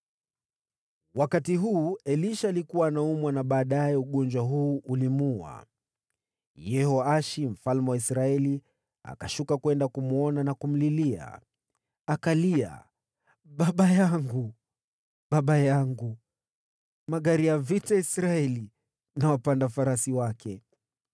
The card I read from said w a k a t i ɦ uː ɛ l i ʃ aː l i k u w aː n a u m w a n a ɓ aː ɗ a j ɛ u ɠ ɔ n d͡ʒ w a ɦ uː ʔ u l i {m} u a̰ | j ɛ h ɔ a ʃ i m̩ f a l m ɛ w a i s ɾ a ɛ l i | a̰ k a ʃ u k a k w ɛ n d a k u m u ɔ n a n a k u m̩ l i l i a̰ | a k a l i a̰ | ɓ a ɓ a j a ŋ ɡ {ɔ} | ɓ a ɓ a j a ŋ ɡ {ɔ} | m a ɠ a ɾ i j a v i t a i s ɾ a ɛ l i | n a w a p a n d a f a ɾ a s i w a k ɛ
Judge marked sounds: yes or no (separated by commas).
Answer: yes, no, no